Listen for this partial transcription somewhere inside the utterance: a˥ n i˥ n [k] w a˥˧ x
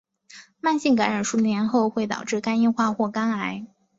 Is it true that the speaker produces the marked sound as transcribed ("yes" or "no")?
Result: no